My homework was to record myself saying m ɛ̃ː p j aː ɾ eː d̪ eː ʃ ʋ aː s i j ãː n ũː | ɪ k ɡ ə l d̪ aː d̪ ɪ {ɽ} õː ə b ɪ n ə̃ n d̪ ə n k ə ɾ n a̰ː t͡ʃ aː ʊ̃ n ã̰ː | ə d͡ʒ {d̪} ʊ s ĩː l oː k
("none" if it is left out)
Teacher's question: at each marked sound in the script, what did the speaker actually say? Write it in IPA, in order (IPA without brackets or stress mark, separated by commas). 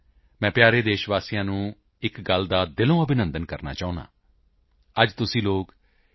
l, t̪